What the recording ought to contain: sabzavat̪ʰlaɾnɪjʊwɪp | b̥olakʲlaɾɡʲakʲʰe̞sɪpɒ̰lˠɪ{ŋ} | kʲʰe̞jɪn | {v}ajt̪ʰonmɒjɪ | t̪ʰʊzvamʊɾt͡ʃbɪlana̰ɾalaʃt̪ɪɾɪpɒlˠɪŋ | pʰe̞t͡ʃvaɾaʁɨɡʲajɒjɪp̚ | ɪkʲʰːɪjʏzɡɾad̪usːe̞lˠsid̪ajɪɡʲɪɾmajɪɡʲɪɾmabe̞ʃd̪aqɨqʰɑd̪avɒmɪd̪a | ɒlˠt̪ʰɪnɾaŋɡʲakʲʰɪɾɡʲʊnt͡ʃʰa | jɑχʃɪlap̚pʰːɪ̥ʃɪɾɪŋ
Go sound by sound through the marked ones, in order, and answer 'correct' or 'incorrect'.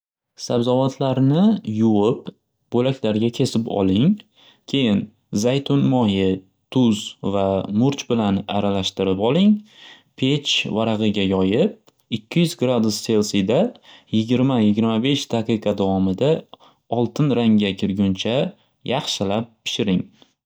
correct, incorrect: z

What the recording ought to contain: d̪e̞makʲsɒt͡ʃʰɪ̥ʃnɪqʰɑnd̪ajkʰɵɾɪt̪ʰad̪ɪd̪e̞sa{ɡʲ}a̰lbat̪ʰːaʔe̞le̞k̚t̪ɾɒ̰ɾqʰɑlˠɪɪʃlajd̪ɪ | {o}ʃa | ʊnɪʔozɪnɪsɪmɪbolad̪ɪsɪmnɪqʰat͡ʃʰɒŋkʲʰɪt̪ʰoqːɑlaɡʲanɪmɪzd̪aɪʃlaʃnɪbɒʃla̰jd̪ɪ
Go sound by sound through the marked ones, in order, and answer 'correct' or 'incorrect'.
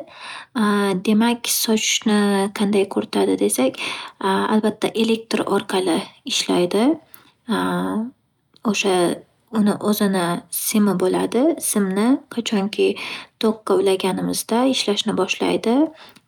incorrect: kʲ, correct

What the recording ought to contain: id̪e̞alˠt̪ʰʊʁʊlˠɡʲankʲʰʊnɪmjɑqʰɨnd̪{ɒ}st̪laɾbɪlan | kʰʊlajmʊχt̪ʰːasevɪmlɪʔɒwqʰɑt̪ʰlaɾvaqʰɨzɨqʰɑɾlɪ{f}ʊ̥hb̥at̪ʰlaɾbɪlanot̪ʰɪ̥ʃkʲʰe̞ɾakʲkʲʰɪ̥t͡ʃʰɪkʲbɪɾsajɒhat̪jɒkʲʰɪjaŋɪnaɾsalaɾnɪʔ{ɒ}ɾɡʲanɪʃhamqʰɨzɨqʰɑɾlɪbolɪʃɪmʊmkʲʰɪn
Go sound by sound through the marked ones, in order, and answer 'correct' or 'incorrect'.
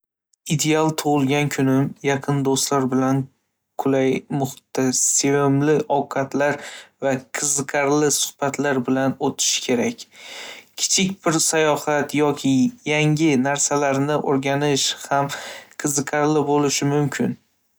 incorrect: o, incorrect: s, incorrect: o

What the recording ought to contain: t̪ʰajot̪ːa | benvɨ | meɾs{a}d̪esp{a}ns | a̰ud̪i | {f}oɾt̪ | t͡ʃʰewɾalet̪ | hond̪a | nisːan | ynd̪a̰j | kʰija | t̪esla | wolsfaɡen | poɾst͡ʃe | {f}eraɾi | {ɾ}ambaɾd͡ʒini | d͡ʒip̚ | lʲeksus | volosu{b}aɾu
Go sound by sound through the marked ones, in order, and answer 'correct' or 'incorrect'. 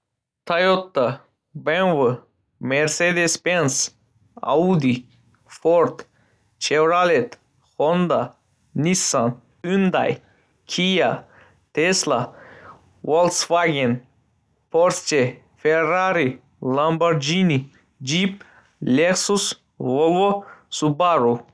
incorrect: e, incorrect: e, correct, correct, incorrect: l, correct

